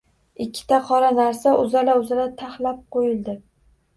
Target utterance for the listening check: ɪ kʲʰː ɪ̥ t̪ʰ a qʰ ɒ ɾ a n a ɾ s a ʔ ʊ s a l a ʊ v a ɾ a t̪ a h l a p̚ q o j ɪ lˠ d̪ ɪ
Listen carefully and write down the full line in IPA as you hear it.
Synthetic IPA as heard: ɪ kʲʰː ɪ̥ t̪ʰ a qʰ ɒ ɾ a n a ɾ s a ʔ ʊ z a l a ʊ z a l a t̪ʰ a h l a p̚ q o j ɪ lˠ d̪ ɪ